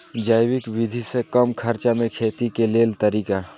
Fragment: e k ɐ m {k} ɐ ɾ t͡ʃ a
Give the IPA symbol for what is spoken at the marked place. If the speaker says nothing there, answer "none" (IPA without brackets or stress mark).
kʰ